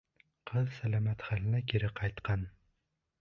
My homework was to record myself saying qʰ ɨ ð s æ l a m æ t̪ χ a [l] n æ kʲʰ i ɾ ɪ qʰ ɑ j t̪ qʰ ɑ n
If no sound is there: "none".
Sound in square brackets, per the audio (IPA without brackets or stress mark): l